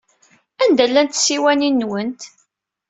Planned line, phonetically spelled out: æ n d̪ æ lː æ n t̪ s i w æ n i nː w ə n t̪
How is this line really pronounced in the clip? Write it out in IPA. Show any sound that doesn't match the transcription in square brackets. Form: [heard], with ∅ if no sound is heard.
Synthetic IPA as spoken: æ n d̪ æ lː æ n t̪ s i w æ n i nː w ə n t̪